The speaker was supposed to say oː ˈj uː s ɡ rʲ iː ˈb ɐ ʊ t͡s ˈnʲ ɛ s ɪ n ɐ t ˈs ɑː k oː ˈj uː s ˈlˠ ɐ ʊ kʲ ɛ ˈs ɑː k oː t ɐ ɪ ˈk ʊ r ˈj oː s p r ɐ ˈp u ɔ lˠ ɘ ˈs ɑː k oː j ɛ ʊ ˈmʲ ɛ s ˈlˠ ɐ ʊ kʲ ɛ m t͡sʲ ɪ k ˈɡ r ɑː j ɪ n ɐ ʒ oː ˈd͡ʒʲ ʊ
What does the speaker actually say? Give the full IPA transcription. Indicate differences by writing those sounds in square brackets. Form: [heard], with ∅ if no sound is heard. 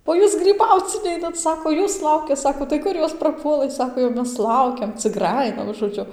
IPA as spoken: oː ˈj uː s ɡ rʲ iː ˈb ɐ ʊ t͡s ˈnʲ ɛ [∅] ɪ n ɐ t ˈs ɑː k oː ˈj uː s ˈlˠ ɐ ʊ kʲ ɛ ˈs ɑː k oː t ɐ ɪ ˈk ʊ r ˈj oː s p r ɐ ˈp u ɔ lˠ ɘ ˈs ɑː k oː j ɛ ʊ ˈmʲ ɛ s ˈlˠ ɐ ʊ kʲ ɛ m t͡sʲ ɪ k ˈɡ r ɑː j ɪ n ɐ ʒ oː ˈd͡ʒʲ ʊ